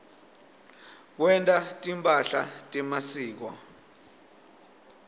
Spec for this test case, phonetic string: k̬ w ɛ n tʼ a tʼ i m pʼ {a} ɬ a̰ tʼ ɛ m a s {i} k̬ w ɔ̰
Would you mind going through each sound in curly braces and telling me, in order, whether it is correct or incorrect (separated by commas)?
correct, incorrect